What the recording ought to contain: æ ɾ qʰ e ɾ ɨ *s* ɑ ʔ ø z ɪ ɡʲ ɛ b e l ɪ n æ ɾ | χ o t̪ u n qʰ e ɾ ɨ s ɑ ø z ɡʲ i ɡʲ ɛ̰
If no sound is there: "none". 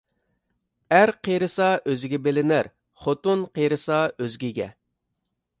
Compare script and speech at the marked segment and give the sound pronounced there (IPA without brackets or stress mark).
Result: s